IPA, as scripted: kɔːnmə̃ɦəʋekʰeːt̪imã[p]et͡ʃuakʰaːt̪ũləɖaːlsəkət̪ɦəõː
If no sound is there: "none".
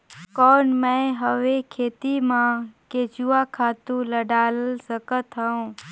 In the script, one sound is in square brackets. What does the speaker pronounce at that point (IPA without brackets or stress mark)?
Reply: k